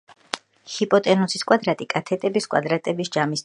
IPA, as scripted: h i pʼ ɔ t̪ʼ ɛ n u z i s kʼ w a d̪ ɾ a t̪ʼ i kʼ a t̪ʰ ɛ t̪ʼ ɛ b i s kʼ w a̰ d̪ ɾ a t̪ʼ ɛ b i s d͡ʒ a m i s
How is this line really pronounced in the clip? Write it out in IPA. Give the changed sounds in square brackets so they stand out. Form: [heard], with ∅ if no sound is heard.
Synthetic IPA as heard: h i pʼ ɔ t̪ʼ ɛ n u [s] i s kʼ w a d̪ ɾ a t̪ʼ i kʼ a t̪ʰ ɛ t̪ʼ ɛ b i s kʼ w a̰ d̪ ɾ a t̪ʼ ɛ b i s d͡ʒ a m i s